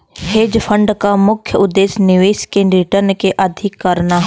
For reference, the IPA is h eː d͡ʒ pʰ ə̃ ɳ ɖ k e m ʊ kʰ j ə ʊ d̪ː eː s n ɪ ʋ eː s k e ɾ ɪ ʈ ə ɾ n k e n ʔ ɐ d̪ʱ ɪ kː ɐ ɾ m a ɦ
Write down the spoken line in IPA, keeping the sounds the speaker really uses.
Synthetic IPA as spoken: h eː d͡ʒ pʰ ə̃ ɳ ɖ k a m ʊ kʰ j ə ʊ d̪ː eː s n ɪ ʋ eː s k e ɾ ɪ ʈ ə ɾ n k e ʔ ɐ d̪ʱ ɪ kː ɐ ɾ n a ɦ